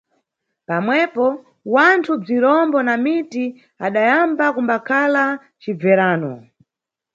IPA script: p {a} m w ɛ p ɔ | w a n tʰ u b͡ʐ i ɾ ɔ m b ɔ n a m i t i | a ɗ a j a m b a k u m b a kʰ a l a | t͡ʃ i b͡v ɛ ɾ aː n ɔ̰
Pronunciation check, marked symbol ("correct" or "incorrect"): correct